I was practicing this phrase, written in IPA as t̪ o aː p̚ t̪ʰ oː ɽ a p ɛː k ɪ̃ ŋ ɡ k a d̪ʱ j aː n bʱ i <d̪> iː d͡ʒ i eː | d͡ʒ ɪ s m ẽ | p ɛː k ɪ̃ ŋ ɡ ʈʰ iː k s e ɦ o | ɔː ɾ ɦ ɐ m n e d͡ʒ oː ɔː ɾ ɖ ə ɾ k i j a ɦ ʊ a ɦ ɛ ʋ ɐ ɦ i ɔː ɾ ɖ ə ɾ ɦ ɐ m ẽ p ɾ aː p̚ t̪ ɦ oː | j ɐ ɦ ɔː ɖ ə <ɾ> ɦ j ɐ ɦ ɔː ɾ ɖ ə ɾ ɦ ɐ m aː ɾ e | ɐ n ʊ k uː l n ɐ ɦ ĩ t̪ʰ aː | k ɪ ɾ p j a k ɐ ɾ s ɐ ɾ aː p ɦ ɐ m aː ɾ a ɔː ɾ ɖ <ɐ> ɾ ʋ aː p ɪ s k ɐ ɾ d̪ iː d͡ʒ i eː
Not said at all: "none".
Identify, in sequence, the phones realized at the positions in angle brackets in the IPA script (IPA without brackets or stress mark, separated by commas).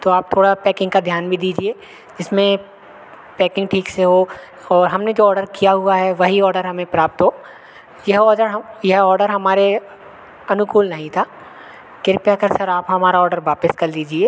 d̪, ɾ, ə